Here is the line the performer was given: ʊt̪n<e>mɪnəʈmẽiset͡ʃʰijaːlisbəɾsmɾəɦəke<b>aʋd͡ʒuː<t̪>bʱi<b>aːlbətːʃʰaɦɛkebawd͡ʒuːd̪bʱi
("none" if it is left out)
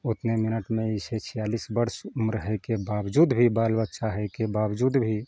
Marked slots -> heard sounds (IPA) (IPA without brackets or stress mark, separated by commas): e, b, d̪, b